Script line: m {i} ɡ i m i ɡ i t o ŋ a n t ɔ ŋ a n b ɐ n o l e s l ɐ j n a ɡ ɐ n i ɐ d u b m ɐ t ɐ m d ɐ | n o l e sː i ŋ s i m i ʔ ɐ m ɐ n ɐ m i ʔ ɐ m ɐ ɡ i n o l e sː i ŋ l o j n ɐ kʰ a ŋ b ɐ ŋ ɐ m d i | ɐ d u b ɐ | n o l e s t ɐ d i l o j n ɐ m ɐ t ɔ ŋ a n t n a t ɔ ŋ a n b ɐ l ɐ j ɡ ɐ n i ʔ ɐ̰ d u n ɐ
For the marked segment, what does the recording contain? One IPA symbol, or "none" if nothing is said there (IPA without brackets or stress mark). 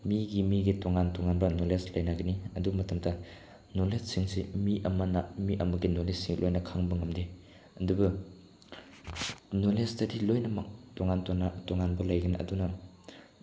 i